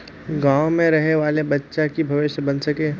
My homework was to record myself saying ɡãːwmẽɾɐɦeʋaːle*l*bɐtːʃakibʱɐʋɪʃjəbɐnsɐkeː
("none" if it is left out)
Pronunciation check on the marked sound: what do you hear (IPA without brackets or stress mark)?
none